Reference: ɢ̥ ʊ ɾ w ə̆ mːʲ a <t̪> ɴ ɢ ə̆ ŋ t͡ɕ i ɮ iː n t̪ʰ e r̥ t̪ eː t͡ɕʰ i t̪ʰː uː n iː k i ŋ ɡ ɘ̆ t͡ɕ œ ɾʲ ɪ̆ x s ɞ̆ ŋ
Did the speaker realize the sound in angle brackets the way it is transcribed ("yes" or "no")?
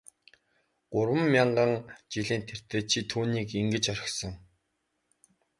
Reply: no